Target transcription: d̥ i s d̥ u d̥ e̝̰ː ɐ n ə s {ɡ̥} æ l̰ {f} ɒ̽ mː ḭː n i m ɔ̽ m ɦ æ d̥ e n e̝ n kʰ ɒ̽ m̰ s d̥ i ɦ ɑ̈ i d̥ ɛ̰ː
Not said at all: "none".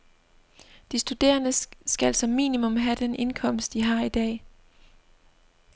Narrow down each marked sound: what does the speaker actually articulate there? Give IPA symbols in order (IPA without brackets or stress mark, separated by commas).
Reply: ɡ̥, s